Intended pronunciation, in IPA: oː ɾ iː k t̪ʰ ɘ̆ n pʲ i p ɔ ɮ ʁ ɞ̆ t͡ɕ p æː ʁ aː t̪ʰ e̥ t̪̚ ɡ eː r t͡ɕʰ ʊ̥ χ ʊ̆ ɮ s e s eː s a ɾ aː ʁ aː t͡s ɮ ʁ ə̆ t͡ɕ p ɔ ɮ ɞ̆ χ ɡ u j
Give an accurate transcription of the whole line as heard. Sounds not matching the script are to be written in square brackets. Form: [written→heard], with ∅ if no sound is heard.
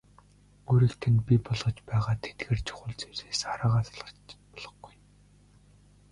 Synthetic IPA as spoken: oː ɾ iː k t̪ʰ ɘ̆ n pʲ i p ɔ ɮ ʁ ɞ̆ t͡ɕ p æː ʁ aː t̪ʰ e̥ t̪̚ ɡ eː r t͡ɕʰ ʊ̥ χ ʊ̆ ɮ [s→t͡s] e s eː s a ɾ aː ʁ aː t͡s ɮ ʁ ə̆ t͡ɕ p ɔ ɮ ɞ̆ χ ɡ u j